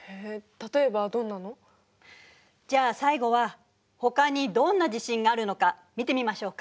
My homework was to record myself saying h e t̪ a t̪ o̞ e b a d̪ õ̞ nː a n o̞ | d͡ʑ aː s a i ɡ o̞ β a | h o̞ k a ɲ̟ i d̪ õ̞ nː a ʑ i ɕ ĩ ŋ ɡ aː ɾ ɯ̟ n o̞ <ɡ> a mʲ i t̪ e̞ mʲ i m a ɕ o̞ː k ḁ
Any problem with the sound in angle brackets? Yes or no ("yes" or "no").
yes